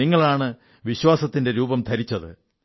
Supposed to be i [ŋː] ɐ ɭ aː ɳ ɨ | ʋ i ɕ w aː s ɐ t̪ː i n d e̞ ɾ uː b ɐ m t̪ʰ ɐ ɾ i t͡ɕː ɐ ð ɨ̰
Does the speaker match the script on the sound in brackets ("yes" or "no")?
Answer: yes